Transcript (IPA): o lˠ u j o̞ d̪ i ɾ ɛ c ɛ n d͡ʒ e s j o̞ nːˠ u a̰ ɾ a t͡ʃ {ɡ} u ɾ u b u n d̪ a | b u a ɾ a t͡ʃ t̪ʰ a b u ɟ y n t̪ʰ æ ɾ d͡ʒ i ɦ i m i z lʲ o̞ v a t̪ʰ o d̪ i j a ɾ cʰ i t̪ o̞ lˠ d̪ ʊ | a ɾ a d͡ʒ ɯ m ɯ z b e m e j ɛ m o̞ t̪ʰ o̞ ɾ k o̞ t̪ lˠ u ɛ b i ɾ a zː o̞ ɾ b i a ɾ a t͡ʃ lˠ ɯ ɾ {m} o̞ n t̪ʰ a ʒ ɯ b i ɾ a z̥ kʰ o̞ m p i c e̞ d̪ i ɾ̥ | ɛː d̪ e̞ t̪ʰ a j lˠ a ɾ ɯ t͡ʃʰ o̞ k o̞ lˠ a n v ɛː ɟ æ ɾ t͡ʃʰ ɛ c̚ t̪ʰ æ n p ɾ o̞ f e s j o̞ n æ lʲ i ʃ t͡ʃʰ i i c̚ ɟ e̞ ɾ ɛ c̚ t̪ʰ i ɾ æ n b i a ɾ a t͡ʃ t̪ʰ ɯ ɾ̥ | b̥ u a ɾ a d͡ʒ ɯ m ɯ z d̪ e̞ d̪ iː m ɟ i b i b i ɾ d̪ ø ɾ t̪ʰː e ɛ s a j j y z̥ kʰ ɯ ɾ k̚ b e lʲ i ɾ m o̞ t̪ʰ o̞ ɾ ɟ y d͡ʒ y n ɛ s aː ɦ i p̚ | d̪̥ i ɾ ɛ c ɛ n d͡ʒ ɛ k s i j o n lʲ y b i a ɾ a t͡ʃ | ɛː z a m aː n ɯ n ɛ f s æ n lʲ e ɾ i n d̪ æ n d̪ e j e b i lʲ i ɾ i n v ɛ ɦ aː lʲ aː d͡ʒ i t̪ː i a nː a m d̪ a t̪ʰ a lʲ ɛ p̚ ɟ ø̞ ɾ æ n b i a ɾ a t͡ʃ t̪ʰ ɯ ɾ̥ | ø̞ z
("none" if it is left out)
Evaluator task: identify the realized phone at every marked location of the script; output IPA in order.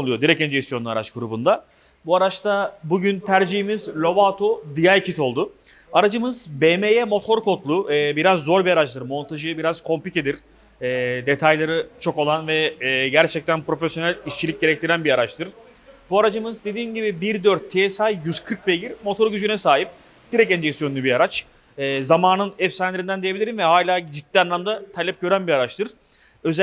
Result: ɡ, m

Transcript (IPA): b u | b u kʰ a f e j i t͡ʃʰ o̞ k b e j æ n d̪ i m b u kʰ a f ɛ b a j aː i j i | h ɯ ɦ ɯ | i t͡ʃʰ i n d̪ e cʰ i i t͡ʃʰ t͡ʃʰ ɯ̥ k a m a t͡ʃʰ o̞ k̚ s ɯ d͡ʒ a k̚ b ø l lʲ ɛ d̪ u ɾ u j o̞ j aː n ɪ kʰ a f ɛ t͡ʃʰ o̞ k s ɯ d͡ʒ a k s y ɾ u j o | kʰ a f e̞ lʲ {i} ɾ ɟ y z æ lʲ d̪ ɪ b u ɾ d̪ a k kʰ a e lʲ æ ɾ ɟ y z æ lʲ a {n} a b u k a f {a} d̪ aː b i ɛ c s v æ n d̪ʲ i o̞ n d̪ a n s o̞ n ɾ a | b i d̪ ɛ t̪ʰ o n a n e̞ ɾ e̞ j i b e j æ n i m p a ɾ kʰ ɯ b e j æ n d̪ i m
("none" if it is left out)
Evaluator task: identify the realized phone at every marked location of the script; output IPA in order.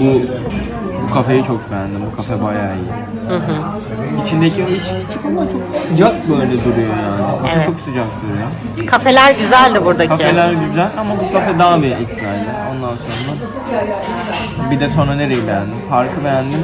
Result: æ, m, ɛ

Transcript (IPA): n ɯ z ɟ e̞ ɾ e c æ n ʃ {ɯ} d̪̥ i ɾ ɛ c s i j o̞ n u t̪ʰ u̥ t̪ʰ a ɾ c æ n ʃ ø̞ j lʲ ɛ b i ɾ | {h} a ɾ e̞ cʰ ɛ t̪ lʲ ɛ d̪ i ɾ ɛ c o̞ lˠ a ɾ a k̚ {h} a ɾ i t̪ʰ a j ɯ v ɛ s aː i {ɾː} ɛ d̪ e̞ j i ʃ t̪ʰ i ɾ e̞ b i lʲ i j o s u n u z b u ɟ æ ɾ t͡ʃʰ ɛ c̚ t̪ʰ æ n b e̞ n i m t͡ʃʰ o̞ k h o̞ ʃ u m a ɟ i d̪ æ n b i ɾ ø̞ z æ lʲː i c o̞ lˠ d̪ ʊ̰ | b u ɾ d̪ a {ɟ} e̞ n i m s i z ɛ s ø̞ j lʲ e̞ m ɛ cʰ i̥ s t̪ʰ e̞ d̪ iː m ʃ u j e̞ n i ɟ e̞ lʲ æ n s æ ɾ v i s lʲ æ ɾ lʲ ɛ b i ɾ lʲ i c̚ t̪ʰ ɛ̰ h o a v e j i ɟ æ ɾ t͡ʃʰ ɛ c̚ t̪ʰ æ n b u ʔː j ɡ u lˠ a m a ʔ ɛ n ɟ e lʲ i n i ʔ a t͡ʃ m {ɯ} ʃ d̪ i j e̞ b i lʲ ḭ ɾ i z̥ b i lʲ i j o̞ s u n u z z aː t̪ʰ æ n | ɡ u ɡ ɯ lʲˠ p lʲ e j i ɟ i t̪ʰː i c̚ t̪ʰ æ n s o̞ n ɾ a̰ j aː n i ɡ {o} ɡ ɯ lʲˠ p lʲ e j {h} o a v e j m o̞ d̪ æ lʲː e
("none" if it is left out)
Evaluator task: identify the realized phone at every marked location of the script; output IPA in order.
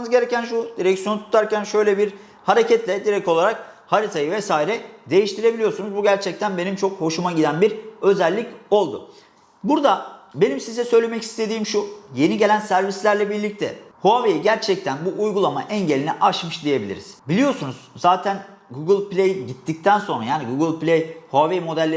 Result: u, h, h, ɾ, b, ɯ, u, h

